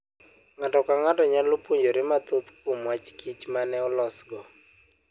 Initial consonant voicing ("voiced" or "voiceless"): voiced